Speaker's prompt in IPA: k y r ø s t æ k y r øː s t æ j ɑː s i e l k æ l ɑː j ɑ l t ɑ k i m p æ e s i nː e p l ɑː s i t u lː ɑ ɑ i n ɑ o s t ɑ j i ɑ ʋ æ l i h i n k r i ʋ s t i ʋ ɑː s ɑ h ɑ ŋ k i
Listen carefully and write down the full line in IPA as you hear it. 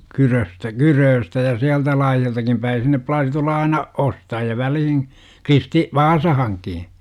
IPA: k y r ø s t æ k y r øː s t æ j ɑ s i æ l t æ l ɑː j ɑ l t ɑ k i m p æ i s i nː e p l ɑː s i t u lː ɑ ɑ i n ɑ o s t ɑ j i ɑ ʋ æ l i h i n k r i s t i ʋ ɑː s ɑ h ɑ ŋ k i